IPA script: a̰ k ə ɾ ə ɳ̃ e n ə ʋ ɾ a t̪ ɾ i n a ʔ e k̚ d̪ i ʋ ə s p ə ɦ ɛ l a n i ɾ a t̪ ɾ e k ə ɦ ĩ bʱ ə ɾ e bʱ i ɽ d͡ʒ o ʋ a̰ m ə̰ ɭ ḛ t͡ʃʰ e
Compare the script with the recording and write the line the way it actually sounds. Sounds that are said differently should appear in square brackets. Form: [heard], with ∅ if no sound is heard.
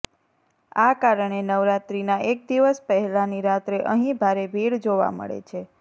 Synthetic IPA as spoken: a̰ k [a] ɾ ə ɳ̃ e n ə ʋ ɾ a t̪ ɾ i n a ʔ e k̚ d̪ i ʋ ə s p ə ɦ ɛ l a n i ɾ a t̪ ɾ e [ʔ] ə ɦ ĩ bʱ [a] ɾ e bʱ i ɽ d͡ʒ o ʋ a̰ m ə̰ ɭ ḛ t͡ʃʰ e